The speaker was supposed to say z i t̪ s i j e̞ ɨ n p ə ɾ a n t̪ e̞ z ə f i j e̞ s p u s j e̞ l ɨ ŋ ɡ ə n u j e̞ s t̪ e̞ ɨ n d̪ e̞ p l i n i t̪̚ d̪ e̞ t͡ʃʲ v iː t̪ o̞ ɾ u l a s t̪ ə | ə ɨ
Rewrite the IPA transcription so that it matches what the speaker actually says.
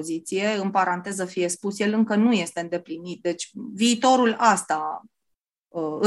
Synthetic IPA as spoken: z i t̪ s i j e̞ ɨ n p a ɾ a n t̪ e̞ z ə f i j e̞ s p u s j e̞ l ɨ ŋ k ə n u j e̞ s t̪ e̞ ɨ n d̪ e̞ p l i n i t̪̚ d̪ e̞ t͡ʃʲ v iː t̪ o̞ ɾ u l a s t̪ a | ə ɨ